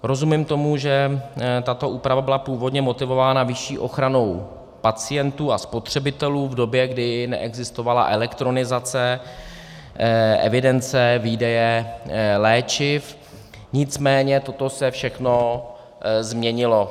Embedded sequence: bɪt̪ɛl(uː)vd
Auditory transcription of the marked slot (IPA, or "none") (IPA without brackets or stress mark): uː